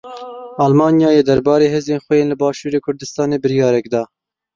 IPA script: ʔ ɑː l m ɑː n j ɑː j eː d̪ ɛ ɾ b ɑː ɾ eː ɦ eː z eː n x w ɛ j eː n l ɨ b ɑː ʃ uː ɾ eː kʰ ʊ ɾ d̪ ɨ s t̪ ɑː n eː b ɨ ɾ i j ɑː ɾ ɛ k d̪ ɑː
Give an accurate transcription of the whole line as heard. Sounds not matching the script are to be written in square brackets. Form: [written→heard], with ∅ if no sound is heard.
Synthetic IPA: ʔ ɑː l m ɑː n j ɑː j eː d̪ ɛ ɾ b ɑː ɾ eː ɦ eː z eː n x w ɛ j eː n l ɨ b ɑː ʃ uː ɾ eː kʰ ʊ ɾ d̪ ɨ s t̪ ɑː n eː b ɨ ɾ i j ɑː ɾ ɛ k d̪ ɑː